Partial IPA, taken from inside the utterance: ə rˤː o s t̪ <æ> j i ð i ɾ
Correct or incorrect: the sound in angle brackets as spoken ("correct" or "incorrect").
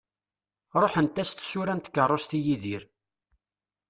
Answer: incorrect